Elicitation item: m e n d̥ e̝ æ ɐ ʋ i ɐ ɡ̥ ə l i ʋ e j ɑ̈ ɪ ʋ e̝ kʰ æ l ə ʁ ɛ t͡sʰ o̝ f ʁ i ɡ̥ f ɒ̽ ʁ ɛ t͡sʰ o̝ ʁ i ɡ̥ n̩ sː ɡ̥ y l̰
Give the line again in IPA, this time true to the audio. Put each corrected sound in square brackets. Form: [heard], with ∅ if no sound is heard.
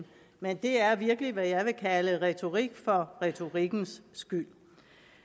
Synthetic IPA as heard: m e n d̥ e̝ æ ɐ ʋ i ɐ ɡ̥ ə l i ʋ [æ] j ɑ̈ ɪ ʋ e̝ kʰ æ l ə ʁ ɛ t͡sʰ o̝ [∅] ʁ i ɡ̥ f ɒ̽ ʁ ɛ t͡sʰ o̝ ʁ i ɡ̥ n̩ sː ɡ̥ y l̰